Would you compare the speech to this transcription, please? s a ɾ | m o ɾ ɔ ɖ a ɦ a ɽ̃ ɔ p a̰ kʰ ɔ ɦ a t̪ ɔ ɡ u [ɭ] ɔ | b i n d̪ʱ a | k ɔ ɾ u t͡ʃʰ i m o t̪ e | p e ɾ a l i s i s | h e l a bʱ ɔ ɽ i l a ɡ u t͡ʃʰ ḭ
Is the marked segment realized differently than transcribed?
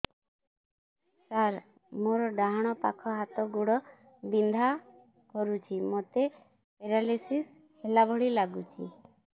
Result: yes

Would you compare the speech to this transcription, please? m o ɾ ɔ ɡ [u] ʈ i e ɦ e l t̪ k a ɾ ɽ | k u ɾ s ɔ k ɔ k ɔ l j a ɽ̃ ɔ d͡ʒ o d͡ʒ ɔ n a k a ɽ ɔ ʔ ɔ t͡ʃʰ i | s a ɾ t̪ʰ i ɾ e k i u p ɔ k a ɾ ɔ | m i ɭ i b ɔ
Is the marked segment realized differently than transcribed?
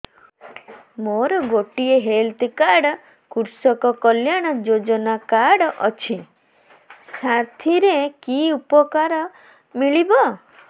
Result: yes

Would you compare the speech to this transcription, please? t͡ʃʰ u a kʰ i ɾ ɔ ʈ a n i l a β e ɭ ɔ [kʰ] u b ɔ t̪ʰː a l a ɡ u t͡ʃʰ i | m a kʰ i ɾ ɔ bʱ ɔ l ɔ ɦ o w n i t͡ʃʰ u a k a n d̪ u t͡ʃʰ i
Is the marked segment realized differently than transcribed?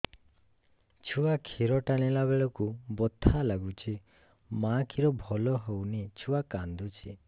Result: yes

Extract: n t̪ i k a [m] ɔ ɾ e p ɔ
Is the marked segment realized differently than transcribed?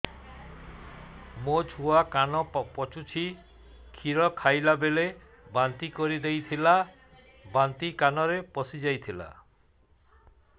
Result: yes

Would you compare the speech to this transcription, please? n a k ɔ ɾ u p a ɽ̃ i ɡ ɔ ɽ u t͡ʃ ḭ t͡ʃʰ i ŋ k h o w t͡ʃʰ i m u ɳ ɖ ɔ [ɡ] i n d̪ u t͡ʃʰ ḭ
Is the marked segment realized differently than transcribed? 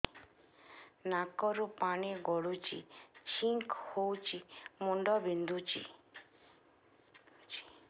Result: yes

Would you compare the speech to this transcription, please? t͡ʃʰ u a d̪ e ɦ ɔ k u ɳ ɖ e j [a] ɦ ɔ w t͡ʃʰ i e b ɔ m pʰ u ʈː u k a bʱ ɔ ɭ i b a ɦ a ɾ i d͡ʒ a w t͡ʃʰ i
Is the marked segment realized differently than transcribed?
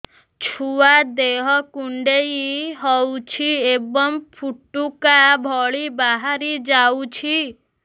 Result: yes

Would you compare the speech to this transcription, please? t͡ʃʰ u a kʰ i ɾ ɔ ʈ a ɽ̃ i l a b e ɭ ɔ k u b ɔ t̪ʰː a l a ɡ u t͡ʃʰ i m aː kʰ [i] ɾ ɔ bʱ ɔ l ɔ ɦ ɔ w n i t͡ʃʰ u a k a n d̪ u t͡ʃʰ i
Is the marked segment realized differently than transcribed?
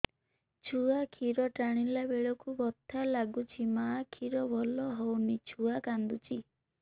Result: no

